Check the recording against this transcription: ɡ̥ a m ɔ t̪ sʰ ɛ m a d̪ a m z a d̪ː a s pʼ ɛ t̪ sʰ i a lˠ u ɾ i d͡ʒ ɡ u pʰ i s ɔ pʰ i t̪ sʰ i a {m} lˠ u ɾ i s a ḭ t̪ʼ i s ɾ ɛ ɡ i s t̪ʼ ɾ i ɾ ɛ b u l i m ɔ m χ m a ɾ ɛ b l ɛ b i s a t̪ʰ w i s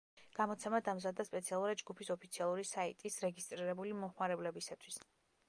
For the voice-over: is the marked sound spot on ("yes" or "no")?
no